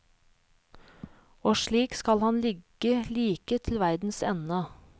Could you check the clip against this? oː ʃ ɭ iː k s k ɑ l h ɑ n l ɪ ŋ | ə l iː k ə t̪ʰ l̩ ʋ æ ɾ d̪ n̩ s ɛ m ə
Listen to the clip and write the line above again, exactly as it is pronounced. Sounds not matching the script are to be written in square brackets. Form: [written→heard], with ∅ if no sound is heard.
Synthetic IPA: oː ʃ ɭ iː k s k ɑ l h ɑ n l ɪ [ŋ→ɡ] | ə l iː k ə t̪ʰ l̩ ʋ æ ɾ d̪ n̩ s ɛ [m→n] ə

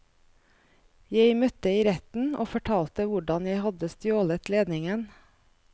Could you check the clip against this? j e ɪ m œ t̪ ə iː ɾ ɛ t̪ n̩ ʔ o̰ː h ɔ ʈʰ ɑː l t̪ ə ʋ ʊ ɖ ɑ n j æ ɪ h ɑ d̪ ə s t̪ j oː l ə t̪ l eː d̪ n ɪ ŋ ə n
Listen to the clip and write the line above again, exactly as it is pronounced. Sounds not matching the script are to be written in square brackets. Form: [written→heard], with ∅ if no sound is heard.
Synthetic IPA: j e ɪ m œ t̪ ə iː ɾ ɛ t̪ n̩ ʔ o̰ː [h→f] ɔ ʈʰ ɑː l t̪ ə ʋ ʊ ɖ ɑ n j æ ɪ h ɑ d̪ ə s t̪ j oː l ə t̪ l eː d̪ n ɪ ŋ ə n

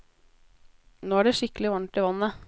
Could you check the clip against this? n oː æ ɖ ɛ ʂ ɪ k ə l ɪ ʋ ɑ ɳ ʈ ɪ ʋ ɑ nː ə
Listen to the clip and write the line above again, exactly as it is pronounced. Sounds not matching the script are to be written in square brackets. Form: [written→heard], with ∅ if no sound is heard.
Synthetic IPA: n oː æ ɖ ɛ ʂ ɪ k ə l ɪ ʋ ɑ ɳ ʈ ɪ ʋ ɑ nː ə

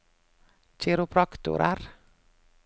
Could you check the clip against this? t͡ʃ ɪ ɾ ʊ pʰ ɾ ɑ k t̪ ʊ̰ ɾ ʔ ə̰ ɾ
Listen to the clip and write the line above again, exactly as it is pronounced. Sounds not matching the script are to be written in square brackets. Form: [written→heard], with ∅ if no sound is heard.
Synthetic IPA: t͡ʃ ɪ ɾ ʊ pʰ ɾ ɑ k t̪ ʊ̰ ɾ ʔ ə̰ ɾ

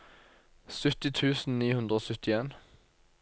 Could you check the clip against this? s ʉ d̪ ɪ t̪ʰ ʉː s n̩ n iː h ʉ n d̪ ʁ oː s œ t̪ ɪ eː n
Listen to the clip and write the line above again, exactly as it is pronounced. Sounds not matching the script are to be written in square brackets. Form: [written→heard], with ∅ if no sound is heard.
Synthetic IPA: s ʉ [d̪→t̪] ɪ t̪ʰ ʉː s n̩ n iː h ʉ n d̪ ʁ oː s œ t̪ ɪ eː n

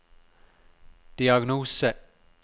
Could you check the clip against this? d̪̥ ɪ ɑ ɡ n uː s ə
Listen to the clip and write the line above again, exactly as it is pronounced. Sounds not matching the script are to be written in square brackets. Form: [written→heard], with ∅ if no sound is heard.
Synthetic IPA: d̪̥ [ɪ→i] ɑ ɡ n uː s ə

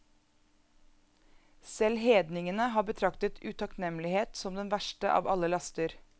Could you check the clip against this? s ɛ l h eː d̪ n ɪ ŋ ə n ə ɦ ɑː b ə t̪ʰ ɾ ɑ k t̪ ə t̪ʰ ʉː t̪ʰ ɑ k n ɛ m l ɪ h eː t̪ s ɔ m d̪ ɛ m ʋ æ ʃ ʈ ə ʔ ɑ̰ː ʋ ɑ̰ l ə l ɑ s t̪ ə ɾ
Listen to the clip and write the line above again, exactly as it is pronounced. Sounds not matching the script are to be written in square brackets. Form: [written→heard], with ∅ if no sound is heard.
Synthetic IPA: s ɛ l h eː d̪ n ɪ ŋ ə n ə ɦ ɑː b ə t̪ʰ ɾ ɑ k t̪ ə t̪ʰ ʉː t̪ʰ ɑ k n ɛ m l ɪ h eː t̪ s ɔ m d̪ ɛ [m→n] ʋ æ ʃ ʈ ə ʔ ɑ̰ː ʋ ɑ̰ l ə l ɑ s t̪ ə ɾ

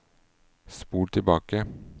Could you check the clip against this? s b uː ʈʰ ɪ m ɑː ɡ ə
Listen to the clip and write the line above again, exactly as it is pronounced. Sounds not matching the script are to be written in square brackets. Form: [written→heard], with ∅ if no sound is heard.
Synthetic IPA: s [b→p] uː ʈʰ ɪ [m→b] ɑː [ɡ→k] ə

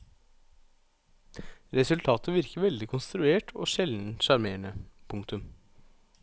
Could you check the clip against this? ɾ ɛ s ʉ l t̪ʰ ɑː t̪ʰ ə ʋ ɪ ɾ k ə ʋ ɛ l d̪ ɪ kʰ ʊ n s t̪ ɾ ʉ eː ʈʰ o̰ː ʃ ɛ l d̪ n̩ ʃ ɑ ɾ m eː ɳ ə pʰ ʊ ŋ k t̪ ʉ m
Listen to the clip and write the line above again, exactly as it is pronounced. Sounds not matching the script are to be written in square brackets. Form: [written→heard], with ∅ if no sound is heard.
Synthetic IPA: ɾ ɛ s ʉ l t̪ʰ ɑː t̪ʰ ə ʋ ɪ ɾ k ə ʋ ɛ l d̪ ɪ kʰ ʊ n s t̪ ɾ ʉ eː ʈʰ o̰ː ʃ ɛ l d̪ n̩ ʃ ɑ ɾ m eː ɳ ə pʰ ʊ ŋ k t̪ ʉ m

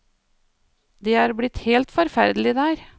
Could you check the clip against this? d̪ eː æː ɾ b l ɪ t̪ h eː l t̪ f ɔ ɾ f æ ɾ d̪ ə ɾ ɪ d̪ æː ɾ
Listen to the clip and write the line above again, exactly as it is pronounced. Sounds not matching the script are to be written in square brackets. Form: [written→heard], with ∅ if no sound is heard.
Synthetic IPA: d̪ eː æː ɾ b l ɪ t̪ h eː l t̪ f ɔ ɾ f æ ɾ d̪ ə [ɾ→l] ɪ d̪ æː ɾ

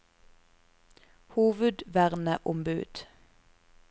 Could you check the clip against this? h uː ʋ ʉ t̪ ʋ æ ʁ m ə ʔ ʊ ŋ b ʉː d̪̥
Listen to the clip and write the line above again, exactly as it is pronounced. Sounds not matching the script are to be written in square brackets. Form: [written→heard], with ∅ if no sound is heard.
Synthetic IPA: h uː ʋ ʉ [t̪→d̪] ʋ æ ʁ [m→n] ə ʔ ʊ [ŋ→m] b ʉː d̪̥

